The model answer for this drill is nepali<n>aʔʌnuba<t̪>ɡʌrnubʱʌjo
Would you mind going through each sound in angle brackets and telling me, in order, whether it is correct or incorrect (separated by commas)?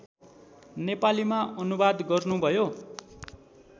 incorrect, incorrect